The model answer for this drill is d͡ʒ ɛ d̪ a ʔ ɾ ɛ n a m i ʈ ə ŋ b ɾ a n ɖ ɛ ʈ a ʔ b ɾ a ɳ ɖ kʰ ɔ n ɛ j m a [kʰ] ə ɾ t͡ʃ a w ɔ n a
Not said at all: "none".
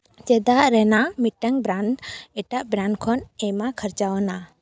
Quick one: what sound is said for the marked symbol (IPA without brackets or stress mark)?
kʰ